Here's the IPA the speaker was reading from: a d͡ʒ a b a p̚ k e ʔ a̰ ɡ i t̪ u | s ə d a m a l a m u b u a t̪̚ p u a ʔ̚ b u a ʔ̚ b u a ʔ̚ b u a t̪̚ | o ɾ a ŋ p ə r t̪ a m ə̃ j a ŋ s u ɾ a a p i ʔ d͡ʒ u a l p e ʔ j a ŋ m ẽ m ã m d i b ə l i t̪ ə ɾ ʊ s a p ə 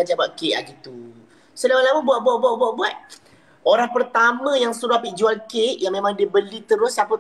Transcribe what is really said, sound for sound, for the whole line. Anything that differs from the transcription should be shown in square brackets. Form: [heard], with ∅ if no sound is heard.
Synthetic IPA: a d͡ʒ a b a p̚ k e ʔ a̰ ɡ i t̪ u | s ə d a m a l a m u b u a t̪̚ [b] u a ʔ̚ b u a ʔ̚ b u a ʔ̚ b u a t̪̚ | o ɾ a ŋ p ə r t̪ a m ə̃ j a ŋ s u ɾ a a p i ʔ d͡ʒ u a l [k] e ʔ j a ŋ m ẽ m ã [ŋ] d i b ə l i t̪ ə ɾ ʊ s a p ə